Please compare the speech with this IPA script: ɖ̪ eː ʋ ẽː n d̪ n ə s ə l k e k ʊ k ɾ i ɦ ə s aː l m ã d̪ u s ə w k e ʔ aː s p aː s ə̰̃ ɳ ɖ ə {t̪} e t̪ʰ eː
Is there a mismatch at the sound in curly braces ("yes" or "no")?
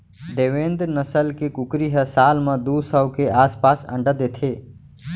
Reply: yes